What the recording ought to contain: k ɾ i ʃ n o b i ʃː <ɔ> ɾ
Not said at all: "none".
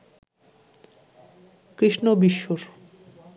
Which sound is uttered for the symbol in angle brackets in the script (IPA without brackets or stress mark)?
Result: o